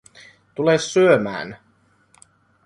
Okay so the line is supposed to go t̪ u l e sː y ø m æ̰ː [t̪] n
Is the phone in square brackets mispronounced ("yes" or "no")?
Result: yes